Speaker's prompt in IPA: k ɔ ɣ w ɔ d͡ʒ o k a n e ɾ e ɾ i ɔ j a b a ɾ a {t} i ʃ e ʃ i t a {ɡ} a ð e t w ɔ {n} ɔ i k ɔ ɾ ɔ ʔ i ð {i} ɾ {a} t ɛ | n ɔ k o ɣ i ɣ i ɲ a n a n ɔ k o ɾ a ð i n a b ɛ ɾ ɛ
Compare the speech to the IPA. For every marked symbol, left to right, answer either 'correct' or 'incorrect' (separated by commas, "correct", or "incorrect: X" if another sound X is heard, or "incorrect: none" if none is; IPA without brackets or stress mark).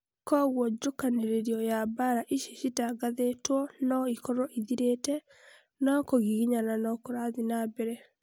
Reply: incorrect: ʔ, correct, correct, correct, incorrect: e